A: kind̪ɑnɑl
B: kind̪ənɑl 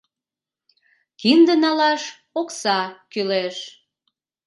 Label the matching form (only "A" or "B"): B